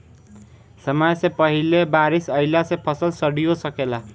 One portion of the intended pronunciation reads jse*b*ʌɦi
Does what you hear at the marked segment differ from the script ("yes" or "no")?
yes